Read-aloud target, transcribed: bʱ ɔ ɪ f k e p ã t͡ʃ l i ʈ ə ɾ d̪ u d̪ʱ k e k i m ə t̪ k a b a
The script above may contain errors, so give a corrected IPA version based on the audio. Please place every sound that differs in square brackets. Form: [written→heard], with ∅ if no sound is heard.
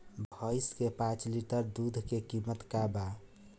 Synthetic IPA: bʱ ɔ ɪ [f→s] k e p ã t͡ʃ l i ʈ ə ɾ d̪ u d̪ʱ k e k i m ə t̪ k a b a